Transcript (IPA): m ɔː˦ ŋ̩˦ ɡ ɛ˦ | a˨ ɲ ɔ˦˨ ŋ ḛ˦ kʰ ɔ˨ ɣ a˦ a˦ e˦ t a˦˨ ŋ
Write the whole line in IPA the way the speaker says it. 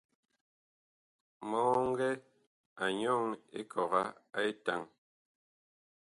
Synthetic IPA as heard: m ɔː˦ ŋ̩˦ ɡ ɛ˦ | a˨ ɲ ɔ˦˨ ŋ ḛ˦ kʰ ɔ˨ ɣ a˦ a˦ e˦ t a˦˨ ŋ